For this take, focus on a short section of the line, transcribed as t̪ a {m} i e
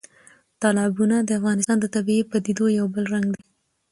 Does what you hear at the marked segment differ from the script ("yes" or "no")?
yes